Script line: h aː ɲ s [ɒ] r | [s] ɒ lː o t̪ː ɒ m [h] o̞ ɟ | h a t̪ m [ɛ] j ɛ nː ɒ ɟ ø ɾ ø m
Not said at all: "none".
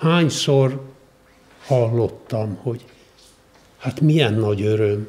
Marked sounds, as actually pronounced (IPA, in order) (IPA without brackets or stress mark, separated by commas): o, h, h, i